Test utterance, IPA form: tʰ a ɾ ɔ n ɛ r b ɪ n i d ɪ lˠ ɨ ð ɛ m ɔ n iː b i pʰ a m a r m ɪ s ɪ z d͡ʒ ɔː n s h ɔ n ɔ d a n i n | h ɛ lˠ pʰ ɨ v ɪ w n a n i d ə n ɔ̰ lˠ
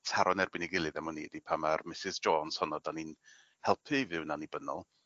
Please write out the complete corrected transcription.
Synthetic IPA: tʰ a ɾ ɔ n ɛ r b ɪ n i ɡ ɪ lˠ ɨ ð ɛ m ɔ n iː d i pʰ a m a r m ɪ s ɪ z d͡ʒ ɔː n s h ɔ n ɔ d a n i n | h ɛ lˠ pʰ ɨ v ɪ w n a n i b ə n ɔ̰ lˠ